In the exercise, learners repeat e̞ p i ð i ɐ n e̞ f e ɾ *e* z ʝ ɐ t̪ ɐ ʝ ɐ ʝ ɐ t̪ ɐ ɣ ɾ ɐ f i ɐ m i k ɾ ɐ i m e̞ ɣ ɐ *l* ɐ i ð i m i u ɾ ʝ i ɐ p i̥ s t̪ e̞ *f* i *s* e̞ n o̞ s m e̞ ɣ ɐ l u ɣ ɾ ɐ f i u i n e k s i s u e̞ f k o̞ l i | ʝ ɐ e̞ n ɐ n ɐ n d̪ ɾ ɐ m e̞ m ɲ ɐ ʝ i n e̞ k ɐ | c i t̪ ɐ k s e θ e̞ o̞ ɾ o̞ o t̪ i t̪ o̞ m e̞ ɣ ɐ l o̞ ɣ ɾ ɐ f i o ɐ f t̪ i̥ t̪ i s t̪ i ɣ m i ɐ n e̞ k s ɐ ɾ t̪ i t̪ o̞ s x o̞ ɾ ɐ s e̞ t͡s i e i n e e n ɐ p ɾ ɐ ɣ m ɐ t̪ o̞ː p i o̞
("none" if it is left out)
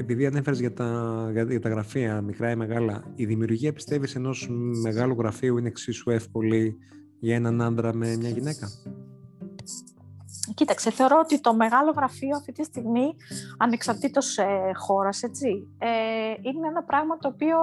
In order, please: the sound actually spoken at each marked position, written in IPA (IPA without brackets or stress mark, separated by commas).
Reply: e, l, v, s